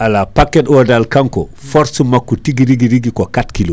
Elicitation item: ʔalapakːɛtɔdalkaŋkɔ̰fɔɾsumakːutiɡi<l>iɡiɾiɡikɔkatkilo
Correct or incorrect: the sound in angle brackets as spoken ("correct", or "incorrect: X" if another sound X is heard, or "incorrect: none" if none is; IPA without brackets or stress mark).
incorrect: ɾ